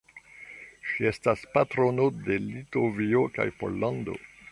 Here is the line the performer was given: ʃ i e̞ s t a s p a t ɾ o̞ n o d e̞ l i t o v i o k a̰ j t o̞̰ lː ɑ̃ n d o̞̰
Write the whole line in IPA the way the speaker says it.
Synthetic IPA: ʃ i e̞ s t a s p a t ɾ o̞ n o d e̞ l i t o v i o k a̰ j p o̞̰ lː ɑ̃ n d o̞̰